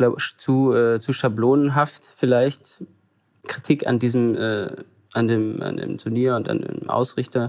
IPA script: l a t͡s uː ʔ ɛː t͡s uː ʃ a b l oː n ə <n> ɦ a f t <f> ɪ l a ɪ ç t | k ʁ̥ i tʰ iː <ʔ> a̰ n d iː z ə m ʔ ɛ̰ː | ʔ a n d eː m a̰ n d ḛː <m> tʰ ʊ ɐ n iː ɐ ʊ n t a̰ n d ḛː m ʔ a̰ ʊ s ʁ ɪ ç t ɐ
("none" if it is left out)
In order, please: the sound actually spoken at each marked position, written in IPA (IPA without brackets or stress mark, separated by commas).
n, f, k, m